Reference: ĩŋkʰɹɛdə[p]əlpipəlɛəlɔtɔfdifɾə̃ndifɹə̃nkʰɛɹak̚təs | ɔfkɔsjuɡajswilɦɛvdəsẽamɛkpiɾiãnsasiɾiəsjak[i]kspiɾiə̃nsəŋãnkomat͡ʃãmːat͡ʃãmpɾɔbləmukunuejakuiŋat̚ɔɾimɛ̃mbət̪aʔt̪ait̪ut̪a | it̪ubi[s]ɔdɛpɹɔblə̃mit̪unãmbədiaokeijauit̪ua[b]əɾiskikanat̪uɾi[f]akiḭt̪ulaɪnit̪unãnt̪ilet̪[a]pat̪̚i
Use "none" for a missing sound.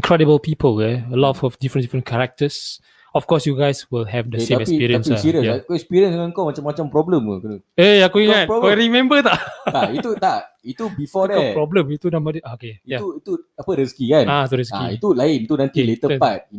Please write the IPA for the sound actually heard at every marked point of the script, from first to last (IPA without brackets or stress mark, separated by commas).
b, ɛ, f, p, s, ə